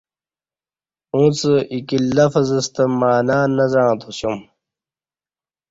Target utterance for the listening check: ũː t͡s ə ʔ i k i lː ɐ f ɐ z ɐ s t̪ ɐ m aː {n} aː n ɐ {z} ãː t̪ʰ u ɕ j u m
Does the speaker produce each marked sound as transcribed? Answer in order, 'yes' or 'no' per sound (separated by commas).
yes, yes